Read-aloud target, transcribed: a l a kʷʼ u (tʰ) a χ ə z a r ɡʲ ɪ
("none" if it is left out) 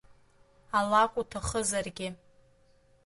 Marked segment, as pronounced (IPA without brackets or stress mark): tʰ